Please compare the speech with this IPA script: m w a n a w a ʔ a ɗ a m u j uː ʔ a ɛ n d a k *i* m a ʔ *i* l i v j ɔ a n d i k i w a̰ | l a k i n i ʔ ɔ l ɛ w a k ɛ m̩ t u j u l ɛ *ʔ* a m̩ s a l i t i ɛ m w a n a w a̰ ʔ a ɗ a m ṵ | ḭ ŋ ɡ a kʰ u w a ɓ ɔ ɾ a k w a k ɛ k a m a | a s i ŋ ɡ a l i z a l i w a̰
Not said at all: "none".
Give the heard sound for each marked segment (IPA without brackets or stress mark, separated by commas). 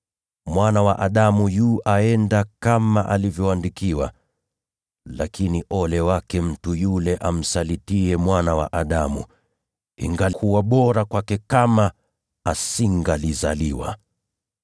a, a, ʔ